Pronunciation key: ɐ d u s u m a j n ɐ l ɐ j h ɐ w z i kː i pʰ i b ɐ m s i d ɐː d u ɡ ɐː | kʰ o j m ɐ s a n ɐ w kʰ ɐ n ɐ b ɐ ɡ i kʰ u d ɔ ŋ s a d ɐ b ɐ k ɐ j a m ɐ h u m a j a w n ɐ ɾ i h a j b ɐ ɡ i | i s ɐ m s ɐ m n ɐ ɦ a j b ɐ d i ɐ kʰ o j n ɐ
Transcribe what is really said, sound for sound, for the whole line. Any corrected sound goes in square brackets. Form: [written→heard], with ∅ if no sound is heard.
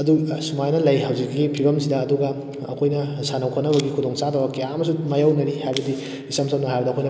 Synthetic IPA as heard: ɐ d u s u m a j n ɐ l ɐ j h ɐ w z i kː i pʰ i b ɐ m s i d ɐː d u ɡ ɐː | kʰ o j [m→n] ɐ s a n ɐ w kʰ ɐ n ɐ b ɐ ɡ i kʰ u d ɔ ŋ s a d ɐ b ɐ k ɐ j a m ɐ [h→s] u m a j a w n ɐ ɾ i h a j b ɐ [ɡ→d] i | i s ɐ m s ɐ m n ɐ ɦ a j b ɐ d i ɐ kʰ o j n ɐ